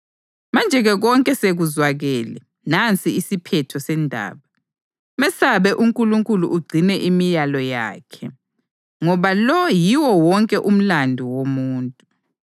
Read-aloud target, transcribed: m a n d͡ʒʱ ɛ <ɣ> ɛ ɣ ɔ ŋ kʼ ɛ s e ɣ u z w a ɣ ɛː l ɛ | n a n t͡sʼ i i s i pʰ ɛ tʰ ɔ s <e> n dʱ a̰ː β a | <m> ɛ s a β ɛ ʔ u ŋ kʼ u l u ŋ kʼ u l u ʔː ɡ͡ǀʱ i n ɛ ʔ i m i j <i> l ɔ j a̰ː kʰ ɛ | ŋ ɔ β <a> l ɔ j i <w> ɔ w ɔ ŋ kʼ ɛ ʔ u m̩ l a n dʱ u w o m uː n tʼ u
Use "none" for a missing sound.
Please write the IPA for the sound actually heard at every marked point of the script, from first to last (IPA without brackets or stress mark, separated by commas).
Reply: ɣ, ɛ, m, a, a, w